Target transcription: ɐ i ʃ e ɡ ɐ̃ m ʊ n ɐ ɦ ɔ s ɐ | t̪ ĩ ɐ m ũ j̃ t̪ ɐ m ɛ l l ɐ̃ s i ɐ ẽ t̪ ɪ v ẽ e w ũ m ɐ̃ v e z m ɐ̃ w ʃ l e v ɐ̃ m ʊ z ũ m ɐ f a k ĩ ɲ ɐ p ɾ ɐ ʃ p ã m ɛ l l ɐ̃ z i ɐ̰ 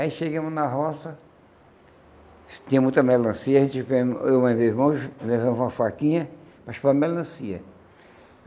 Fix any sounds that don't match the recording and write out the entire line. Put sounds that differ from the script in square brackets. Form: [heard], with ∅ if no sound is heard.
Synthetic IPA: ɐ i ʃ e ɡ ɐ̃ m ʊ n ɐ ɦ ɔ s ɐ | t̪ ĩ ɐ m ũ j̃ t̪ ɐ m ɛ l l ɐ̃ s i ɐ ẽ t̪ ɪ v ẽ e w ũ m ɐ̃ v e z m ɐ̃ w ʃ l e v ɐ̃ m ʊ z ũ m ɐ f a k ĩ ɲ ɐ p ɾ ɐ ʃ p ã m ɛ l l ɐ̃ [s] i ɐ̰